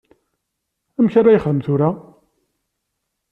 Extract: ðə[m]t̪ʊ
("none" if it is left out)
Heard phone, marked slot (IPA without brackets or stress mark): m